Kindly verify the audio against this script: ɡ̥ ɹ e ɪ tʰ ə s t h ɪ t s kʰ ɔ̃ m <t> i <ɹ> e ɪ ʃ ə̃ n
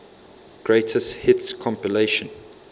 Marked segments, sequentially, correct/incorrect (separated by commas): incorrect, incorrect